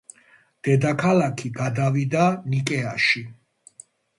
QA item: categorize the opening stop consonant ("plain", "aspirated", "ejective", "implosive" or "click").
plain